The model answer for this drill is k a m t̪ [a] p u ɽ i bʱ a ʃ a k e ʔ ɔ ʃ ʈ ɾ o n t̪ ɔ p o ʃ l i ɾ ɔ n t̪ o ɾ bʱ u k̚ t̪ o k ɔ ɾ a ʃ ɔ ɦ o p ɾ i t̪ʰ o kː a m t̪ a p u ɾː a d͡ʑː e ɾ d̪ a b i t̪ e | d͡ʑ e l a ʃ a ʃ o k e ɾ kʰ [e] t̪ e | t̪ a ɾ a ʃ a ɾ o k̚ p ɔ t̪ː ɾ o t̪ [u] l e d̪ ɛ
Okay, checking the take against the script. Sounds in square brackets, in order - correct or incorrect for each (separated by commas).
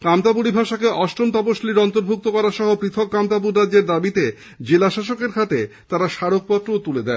correct, incorrect, correct